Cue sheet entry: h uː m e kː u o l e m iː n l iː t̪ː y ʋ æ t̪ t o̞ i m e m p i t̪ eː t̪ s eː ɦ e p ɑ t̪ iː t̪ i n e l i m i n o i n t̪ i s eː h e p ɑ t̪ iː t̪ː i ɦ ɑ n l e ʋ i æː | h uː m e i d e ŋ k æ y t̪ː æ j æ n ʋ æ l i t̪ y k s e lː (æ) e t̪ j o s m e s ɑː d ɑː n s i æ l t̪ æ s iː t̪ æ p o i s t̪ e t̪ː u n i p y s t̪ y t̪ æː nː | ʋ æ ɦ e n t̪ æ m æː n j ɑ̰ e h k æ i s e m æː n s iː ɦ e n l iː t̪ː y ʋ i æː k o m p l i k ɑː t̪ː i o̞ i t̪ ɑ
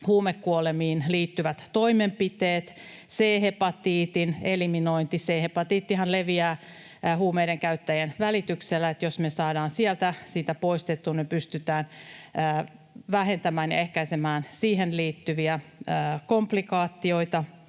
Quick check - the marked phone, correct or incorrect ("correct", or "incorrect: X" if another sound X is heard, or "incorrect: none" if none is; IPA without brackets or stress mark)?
correct